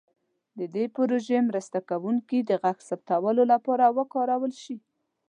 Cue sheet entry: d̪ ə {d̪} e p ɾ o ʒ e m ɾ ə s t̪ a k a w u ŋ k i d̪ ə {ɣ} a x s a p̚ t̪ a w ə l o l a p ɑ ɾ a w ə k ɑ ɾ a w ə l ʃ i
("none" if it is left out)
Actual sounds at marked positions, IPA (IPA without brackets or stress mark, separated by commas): d̪, ɣ